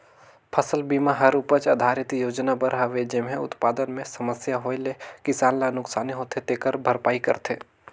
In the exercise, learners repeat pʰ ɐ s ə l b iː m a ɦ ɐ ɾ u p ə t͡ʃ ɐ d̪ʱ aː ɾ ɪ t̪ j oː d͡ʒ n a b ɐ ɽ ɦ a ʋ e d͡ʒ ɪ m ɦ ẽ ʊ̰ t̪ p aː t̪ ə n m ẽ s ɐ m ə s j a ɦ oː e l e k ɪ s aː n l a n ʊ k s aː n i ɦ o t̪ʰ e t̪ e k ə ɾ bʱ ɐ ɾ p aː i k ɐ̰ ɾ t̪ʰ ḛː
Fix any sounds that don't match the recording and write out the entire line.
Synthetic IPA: pʰ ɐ s ə l b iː m a ɦ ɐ ɾ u p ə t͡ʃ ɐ d̪ʱ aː ɾ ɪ t̪ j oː d͡ʒ n a b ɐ ɾ ɦ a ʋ e d͡ʒ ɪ m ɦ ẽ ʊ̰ t̪ p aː d̪ ə n m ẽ s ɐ m ə s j a ɦ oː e l e k ɪ s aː n l a n ʊ k s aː n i ɦ o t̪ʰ e t̪ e k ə ɾ bʱ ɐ ɾ p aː i k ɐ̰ ɾ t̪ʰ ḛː